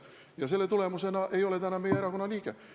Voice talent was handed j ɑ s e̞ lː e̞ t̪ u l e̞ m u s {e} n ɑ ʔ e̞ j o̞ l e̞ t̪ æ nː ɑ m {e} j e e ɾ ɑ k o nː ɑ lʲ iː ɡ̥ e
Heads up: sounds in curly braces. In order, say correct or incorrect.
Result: correct, correct

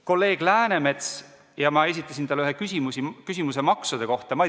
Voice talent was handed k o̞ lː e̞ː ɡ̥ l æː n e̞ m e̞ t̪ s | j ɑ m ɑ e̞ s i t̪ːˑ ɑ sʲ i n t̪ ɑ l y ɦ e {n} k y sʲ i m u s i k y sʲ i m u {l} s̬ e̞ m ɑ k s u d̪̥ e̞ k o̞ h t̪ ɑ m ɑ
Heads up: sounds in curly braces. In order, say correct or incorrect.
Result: incorrect: none, incorrect: none

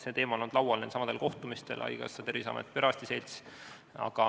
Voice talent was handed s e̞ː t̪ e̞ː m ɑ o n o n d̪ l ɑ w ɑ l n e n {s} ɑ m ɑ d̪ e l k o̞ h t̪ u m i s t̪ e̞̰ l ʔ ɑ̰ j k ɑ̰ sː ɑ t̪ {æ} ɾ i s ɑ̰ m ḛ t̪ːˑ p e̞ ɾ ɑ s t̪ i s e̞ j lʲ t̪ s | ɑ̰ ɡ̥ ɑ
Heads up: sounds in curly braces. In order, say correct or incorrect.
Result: correct, incorrect: e

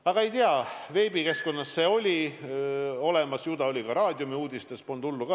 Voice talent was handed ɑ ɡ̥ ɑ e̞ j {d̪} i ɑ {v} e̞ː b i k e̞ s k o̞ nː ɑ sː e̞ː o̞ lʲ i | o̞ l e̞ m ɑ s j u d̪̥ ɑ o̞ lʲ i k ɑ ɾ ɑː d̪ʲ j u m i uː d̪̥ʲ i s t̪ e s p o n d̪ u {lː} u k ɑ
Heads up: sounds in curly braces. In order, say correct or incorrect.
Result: incorrect: t̪, correct, correct

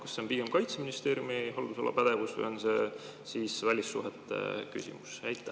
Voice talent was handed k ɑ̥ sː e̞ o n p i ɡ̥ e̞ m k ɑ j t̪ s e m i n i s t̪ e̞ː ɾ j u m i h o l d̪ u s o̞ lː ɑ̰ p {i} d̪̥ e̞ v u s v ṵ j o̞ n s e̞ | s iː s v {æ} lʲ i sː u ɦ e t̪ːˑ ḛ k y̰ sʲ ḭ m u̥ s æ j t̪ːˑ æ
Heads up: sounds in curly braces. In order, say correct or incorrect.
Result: incorrect: æ, correct

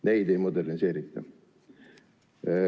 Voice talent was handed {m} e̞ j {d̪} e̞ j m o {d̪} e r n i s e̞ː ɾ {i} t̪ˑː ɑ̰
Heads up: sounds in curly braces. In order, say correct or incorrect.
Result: incorrect: n, correct, correct, correct

